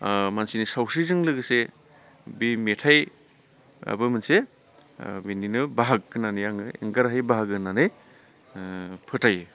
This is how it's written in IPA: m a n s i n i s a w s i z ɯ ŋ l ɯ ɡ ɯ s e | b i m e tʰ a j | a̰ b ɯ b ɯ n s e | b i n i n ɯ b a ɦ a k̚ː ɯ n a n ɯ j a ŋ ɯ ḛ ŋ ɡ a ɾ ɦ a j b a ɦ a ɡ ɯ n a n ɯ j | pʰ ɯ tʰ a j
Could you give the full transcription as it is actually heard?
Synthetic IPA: m a n s i n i s a w s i z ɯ ŋ l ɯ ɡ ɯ s e | b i m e tʰ a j | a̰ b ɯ m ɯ n s e | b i n i n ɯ b a ɦ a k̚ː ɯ n a n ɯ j a ŋ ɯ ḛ ŋ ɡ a ɾ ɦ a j b a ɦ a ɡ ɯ n a n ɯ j | pʰ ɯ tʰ a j